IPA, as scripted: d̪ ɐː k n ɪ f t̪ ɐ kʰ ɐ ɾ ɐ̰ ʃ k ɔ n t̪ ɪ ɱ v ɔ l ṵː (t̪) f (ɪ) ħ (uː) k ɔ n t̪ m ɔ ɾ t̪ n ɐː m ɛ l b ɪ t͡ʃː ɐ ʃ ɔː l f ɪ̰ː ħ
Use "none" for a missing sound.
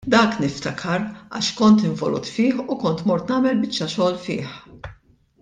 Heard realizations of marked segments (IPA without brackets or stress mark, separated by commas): t̪, ɪː, u